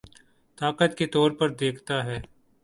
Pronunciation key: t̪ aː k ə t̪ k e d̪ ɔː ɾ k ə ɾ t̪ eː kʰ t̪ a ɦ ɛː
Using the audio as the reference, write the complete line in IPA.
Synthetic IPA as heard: t̪ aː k ə t̪ k e t̪ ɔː ɾ p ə ɾ d̪ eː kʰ t̪ a ɦ ɛː